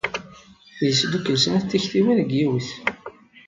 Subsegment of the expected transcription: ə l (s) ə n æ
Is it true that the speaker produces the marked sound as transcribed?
yes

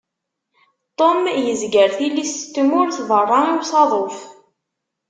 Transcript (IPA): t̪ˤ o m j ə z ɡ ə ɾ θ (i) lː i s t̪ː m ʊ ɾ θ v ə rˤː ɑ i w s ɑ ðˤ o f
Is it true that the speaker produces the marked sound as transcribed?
yes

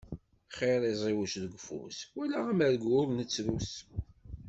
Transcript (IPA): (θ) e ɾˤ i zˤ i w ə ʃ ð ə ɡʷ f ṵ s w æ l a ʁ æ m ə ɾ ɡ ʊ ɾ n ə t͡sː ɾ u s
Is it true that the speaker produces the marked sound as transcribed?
no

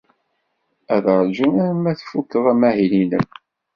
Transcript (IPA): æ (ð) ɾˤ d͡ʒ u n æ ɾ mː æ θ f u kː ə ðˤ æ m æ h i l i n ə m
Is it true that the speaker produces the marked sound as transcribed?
yes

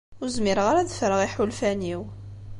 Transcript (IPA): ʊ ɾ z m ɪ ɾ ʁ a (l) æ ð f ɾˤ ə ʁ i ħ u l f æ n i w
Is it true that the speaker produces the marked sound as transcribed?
no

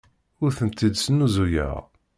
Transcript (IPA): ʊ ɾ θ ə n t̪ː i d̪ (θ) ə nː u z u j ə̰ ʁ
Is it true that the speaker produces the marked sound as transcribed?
no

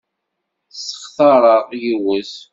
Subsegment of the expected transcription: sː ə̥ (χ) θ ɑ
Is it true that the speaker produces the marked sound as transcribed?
yes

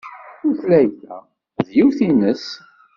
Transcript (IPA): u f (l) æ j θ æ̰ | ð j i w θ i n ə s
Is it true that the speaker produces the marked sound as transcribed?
yes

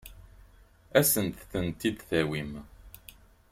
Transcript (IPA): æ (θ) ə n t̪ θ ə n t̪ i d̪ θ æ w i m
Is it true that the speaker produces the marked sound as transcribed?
no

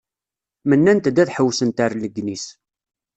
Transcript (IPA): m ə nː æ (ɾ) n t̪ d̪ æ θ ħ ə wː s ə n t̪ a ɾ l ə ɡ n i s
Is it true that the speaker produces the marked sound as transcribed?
no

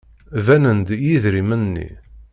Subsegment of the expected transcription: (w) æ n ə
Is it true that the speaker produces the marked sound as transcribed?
no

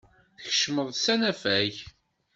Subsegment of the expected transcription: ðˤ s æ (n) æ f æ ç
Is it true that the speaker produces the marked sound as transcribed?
yes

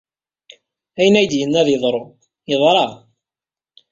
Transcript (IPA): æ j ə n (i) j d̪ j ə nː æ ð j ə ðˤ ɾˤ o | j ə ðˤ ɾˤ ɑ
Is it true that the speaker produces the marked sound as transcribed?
no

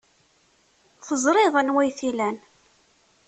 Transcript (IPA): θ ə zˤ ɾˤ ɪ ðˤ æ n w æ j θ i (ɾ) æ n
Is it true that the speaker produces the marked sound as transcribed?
no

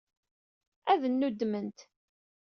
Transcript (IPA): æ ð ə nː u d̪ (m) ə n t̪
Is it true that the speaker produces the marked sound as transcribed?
yes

